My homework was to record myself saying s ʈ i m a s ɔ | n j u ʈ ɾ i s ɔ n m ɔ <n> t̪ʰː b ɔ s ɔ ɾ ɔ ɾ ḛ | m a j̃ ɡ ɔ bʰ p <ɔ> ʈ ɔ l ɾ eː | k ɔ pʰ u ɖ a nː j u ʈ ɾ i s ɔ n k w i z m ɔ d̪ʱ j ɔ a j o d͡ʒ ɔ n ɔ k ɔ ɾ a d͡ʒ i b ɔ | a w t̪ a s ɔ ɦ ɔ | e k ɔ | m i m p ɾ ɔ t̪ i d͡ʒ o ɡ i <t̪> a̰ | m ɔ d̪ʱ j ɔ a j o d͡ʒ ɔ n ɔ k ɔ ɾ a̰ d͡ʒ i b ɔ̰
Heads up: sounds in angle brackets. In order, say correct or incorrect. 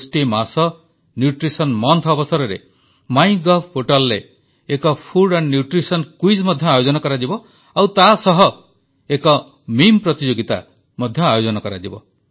correct, incorrect: o, correct

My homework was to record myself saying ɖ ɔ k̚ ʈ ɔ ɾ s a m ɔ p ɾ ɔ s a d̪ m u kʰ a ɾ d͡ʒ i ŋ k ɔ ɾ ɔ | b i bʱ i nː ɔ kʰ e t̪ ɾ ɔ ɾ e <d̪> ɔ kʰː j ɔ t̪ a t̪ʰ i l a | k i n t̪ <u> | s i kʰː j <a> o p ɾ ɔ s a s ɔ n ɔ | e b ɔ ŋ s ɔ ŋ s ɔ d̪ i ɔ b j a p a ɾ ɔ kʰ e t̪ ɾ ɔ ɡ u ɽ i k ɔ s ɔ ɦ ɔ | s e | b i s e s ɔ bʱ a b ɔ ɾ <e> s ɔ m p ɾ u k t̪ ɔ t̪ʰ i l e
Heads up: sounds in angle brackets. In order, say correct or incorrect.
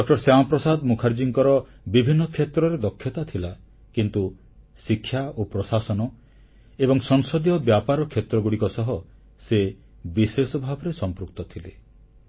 correct, correct, correct, correct

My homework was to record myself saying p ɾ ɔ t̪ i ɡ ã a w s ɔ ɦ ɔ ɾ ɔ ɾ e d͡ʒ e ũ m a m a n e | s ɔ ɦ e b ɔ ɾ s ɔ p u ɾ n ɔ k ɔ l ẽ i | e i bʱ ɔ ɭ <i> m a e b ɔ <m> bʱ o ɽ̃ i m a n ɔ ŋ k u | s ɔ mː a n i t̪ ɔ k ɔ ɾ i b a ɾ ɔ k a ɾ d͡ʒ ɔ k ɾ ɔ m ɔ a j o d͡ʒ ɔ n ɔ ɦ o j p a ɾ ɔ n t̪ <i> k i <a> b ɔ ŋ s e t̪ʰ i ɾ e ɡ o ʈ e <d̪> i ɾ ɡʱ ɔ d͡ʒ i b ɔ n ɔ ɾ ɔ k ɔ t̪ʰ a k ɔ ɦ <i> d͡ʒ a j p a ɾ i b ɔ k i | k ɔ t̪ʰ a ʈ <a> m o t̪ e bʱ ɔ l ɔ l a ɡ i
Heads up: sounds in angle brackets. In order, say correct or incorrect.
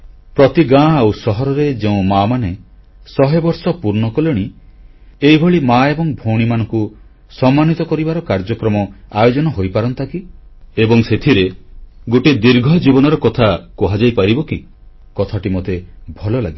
correct, incorrect: ŋ, incorrect: a, incorrect: e, correct, incorrect: a, incorrect: i

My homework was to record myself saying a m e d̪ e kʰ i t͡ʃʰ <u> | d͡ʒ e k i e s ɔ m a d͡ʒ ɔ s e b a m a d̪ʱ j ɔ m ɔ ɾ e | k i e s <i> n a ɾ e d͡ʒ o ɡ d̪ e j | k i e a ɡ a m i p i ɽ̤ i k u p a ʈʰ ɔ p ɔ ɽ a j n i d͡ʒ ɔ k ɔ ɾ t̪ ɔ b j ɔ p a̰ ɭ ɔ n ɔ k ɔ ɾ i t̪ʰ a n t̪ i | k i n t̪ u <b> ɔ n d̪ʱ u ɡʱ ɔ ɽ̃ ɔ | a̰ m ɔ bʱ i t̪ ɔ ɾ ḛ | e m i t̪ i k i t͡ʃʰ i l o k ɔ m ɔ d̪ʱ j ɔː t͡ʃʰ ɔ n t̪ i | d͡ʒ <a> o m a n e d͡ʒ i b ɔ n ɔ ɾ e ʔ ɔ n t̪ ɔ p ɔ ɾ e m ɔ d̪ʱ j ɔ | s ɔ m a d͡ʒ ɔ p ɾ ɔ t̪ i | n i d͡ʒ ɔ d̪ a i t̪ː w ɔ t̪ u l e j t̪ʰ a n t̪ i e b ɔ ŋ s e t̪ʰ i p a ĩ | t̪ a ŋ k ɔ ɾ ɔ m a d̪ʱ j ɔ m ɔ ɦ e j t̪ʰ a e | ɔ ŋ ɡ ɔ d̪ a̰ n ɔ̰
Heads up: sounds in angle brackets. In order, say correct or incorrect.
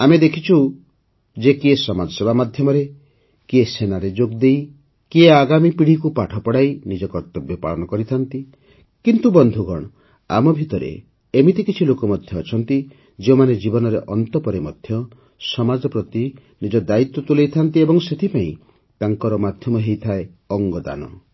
correct, incorrect: e, correct, incorrect: e

